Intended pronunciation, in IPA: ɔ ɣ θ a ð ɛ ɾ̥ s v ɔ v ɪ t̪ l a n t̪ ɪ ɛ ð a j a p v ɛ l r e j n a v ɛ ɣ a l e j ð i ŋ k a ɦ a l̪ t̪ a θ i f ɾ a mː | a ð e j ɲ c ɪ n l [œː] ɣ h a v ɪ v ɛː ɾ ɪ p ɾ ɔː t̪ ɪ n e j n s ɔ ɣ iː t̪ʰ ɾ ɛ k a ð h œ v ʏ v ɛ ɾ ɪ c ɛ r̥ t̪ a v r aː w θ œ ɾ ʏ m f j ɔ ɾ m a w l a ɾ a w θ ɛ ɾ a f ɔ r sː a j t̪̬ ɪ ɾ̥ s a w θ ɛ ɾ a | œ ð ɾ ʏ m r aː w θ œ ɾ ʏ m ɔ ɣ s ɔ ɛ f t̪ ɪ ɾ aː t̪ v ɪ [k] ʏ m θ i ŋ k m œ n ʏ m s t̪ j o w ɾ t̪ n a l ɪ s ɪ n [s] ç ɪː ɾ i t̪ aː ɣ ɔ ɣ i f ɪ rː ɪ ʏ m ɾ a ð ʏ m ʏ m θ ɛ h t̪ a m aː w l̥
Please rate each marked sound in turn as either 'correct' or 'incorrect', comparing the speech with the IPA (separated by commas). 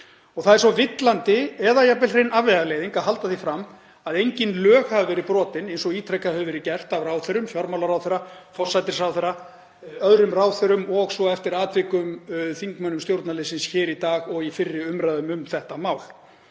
correct, correct, correct